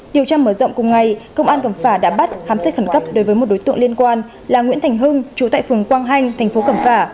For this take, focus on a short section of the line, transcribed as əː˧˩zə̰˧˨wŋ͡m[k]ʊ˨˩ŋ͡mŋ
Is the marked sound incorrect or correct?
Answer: correct